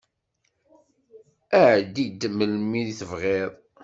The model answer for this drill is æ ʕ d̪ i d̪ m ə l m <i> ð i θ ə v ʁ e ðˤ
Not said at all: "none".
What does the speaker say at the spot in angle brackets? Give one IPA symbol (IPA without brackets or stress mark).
i